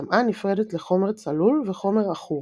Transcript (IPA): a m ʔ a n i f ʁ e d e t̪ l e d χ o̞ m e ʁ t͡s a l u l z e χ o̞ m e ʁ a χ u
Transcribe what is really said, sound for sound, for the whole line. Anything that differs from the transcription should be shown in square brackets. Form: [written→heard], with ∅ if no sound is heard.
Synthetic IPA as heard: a m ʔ a n i f ʁ e d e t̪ l e [d→∅] χ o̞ m e ʁ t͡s a l u l [z→v] e χ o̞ m e ʁ a χ u